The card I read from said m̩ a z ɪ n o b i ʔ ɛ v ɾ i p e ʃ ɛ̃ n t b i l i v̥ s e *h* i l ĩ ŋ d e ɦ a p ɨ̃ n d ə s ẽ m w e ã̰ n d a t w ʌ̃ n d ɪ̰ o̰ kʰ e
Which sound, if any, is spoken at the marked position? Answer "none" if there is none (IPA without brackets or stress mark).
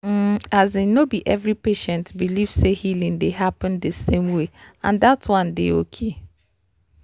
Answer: h